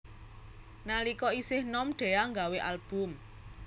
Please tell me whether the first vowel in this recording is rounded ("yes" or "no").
no